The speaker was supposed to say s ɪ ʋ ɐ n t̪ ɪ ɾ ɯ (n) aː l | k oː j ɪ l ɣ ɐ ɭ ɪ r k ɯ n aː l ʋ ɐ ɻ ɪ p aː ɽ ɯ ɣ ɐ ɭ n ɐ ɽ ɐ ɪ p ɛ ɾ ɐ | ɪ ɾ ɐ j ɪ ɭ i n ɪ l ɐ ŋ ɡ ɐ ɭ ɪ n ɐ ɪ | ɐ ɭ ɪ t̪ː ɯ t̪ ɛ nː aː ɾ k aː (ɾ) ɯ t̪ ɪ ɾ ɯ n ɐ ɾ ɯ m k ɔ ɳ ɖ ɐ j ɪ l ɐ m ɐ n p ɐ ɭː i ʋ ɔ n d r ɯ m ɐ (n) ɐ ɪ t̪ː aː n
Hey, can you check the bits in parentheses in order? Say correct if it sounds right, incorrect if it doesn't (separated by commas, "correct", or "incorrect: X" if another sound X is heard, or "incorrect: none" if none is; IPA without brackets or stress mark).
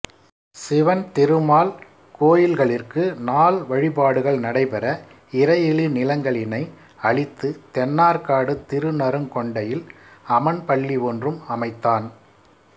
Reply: incorrect: m, incorrect: ɽ, incorrect: m